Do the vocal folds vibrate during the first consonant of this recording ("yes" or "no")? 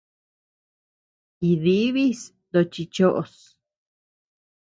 yes